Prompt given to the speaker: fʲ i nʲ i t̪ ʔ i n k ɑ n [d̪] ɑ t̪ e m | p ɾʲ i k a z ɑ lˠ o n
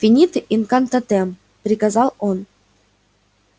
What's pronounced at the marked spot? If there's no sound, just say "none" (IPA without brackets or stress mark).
t̪